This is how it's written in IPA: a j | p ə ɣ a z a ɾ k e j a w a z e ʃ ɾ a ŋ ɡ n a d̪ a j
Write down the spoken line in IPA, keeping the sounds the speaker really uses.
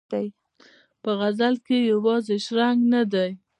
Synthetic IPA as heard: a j | p ə ɣ a z a l k e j a w ɑ z e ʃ ɾ a ŋ ɡ n a d̪ a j